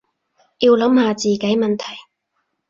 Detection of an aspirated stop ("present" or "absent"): present